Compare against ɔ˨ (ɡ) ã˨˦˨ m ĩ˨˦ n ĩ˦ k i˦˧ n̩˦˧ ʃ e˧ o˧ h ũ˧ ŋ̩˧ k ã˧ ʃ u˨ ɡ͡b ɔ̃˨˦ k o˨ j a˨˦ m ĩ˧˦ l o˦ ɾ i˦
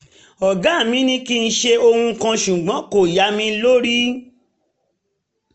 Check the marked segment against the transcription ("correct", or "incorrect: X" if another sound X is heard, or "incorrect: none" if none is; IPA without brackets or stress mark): correct